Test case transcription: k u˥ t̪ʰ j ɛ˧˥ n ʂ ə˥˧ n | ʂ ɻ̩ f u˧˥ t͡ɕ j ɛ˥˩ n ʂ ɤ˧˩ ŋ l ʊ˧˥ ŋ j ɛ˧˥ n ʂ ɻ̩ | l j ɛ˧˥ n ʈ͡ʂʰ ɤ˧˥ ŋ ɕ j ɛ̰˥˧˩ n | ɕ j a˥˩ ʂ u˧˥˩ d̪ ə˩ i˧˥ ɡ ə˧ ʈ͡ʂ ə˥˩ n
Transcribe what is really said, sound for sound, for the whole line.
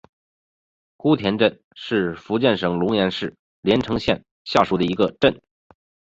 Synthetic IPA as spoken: k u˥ t̪ʰ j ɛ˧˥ n ʈ͡ʂ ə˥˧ n | ʂ ɻ̩ f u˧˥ t͡ɕ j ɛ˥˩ n ʂ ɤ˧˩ ŋ l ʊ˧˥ ŋ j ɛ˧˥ n ʂ ɻ̩ | l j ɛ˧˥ n ʈ͡ʂʰ ɤ˧˥ ŋ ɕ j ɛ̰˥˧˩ n | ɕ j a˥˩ ʂ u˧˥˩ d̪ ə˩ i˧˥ ɡ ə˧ ʈ͡ʂ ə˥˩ n

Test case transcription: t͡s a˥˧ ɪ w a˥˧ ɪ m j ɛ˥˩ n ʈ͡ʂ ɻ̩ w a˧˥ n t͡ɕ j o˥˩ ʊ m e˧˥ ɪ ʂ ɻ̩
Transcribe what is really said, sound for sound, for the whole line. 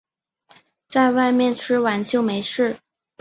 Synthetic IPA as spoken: t͡s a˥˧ ɪ w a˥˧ ɪ m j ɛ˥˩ n ʈ͡ʂʰ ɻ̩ w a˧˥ n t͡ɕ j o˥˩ ʊ m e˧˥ ɪ ʂ ɻ̩

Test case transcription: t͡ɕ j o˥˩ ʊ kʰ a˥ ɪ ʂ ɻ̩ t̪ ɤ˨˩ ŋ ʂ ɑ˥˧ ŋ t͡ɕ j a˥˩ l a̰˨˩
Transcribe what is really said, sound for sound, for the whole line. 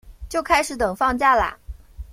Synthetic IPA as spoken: t͡ɕ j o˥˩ ʊ kʰ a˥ ɪ ʂ ɻ̩ t̪ ɤ˨˩ ŋ f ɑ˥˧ ŋ t͡ɕ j a˥˩ l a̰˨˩

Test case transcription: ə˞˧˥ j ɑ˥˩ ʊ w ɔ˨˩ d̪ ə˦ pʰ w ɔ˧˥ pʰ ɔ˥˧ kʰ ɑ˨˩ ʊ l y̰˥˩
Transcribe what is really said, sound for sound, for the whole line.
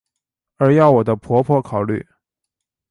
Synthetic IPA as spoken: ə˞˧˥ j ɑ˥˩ ʊ w ɔ˨˩ d̪ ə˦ pʰ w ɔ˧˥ pʰ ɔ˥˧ kʰ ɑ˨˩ ʊ l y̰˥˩

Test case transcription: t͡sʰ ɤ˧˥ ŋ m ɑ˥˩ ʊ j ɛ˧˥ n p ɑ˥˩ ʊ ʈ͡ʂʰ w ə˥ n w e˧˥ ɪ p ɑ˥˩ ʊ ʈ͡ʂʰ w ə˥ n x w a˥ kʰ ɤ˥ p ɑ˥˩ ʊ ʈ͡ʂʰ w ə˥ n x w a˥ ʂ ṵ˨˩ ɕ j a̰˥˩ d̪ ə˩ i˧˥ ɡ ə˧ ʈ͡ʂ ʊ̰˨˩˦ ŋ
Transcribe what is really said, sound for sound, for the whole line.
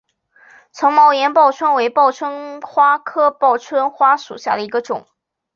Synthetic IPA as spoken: t͡sʰ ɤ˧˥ ŋ m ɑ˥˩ ʊ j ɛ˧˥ n p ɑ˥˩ ʊ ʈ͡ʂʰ w ə˥ n w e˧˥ ɪ p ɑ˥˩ ʊ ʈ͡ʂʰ w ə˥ n x w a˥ kʰ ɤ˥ p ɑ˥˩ ʊ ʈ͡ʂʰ w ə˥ n x w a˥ ʂ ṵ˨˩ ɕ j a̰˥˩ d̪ ə˩ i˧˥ ɡ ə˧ ʈ͡ʂ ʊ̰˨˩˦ ŋ

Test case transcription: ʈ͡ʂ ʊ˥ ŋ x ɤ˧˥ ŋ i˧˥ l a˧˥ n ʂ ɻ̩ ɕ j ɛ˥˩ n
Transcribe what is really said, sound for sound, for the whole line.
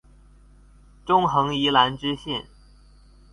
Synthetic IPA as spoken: ʈ͡ʂ ʊ˥ ŋ x ɤ˧˥ ŋ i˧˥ l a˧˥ n ʈ͡ʂ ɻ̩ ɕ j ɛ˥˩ n

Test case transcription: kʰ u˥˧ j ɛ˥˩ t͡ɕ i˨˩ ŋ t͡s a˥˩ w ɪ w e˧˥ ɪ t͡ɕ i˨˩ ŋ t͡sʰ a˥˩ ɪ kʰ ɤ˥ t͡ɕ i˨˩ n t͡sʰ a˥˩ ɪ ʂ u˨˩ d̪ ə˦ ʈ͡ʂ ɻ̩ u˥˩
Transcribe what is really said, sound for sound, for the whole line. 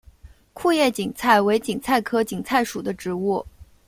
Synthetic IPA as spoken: kʰ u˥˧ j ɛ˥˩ t͡ɕ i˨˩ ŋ t͡sʰ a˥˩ ɪ w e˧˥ ɪ t͡ɕ i˨˩ ŋ t͡sʰ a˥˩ ɪ kʰ ɤ˥ t͡ɕ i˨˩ ŋ t͡sʰ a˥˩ ɪ ʂ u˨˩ d̪ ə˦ ʈ͡ʂ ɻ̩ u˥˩

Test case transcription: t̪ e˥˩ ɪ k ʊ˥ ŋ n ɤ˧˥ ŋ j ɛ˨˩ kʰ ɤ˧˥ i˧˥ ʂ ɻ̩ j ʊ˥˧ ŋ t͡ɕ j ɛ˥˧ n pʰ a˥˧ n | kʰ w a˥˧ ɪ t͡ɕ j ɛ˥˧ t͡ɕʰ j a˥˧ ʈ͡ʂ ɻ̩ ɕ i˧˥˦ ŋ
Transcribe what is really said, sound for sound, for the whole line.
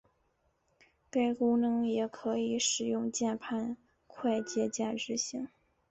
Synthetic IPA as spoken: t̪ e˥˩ ɪ k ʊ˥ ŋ n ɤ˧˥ ŋ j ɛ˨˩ kʰ ɤ˧˥ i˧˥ ʂ ɻ̩ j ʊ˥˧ ŋ t͡ɕ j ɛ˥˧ n pʰ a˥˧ n | kʰ w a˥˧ ɪ t͡ɕ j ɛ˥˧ t͡ɕ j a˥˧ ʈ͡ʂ ɻ̩ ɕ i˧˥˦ ŋ

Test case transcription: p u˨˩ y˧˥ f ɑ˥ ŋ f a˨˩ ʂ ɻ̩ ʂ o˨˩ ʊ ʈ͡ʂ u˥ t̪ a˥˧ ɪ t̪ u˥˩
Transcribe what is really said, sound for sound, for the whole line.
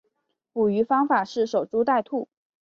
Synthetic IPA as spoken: p u˨˩ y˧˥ f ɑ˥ ŋ f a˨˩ ʂ ɻ̩ ʂ o˨˩ ʊ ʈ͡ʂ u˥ t̪ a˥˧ ɪ t̪ʰ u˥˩

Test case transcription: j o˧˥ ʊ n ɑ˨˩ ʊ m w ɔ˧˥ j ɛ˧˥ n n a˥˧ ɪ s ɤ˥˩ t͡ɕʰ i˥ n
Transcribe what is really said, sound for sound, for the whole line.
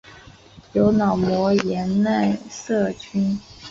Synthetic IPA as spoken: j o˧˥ ʊ n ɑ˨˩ ʊ m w ɔ˧˥ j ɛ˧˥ n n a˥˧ ɪ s ɤ˥˩ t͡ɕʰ y˥ n

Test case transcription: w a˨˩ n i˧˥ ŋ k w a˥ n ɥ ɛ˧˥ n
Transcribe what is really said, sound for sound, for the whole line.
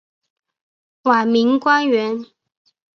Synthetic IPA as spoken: w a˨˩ m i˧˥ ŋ k w a˥ n ɥ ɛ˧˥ n

